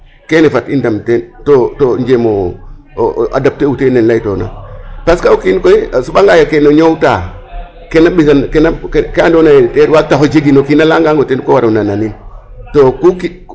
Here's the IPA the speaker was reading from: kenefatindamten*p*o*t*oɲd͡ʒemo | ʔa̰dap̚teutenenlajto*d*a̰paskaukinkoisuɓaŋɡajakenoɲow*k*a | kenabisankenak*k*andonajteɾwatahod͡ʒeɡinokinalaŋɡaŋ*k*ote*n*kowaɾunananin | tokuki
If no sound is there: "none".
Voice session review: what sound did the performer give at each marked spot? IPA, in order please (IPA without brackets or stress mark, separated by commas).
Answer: t, t, n, t, k, ɡ, n